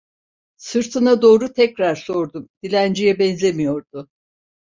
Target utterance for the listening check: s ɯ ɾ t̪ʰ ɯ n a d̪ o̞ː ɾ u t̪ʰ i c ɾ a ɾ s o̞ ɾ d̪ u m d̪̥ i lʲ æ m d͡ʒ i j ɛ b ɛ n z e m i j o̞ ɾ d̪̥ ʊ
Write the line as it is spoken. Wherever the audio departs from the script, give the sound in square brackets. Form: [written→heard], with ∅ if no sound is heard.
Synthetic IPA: s ɯ ɾ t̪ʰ ɯ n a d̪ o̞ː ɾ u t̪ʰ [i→ɛ] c ɾ a ɾ s o̞ ɾ d̪ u m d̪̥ i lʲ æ [m→n] d͡ʒ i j ɛ b ɛ n z e m i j o̞ ɾ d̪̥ ʊ